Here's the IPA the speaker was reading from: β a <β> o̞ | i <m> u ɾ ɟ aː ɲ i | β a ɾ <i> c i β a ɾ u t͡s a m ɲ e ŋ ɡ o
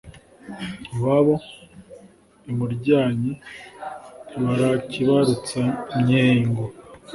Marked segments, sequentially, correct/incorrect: correct, correct, incorrect

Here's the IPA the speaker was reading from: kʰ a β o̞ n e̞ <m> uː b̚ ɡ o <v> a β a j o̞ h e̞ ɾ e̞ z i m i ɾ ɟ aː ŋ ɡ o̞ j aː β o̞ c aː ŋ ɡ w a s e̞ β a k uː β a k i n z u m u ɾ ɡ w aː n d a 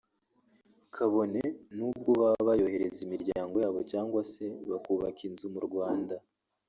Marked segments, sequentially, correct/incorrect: incorrect, incorrect

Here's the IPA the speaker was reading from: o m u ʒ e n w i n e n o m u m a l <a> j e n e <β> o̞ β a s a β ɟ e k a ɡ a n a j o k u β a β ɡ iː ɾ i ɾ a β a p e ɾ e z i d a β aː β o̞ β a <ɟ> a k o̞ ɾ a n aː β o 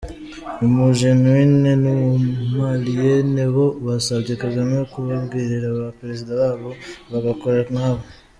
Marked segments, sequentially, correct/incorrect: incorrect, correct, incorrect

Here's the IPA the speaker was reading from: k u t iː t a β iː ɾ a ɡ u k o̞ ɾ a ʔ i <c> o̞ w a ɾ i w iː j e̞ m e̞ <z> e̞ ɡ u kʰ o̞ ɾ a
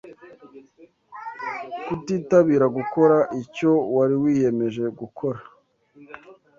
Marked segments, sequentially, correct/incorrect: correct, incorrect

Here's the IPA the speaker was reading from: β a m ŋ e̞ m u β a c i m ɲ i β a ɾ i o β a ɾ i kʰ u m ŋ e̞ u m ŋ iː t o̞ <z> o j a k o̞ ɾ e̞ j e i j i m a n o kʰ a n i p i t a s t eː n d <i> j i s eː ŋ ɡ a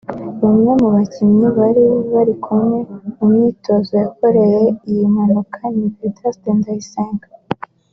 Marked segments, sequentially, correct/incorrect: correct, incorrect

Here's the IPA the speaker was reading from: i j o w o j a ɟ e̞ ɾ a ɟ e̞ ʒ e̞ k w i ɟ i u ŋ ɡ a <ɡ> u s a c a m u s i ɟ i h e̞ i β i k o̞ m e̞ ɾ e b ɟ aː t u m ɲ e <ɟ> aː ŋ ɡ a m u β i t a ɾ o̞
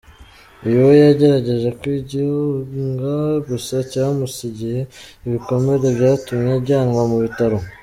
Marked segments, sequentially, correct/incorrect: correct, correct

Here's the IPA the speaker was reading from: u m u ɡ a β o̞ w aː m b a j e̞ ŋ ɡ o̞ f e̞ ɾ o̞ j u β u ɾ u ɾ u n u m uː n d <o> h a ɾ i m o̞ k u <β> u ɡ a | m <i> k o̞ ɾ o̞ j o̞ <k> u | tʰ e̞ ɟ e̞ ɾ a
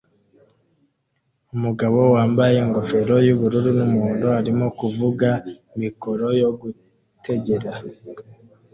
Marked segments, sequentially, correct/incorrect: correct, incorrect, correct, incorrect

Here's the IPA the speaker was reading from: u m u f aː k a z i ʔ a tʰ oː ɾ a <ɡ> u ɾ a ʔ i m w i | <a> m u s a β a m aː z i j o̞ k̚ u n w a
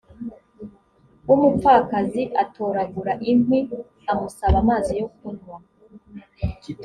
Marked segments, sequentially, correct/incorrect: correct, correct

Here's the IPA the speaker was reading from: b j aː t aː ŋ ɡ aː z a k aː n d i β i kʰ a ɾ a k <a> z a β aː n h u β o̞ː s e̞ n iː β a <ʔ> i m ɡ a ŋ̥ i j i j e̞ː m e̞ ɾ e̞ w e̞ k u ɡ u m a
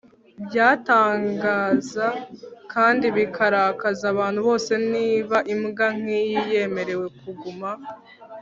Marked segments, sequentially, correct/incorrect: correct, correct

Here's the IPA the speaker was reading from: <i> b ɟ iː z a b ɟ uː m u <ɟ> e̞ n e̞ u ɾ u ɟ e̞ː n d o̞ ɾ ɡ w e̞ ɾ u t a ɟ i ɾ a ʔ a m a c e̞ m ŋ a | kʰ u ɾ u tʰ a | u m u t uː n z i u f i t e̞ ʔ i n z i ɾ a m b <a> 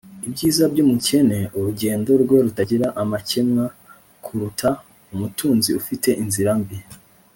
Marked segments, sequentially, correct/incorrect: correct, incorrect, incorrect

